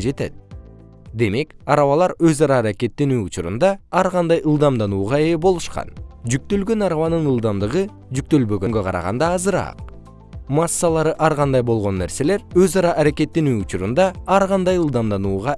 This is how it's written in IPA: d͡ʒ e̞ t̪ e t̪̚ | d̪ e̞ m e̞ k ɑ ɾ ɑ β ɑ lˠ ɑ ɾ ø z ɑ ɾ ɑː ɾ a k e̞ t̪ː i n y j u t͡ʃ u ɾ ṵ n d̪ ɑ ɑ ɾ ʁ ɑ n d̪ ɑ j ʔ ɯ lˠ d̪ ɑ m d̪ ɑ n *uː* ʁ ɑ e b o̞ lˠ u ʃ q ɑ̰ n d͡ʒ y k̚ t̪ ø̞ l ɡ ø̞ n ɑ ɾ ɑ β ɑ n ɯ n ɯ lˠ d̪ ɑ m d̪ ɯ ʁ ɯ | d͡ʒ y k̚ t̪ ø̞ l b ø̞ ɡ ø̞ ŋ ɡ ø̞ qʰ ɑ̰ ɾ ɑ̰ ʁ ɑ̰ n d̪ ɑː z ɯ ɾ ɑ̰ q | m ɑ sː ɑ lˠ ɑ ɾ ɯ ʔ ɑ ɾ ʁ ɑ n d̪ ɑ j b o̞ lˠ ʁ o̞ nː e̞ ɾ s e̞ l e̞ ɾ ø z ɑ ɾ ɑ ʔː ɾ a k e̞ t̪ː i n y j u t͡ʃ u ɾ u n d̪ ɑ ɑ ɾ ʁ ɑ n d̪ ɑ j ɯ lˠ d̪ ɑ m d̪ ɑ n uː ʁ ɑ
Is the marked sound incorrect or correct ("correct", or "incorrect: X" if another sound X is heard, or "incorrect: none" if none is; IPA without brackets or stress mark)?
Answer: correct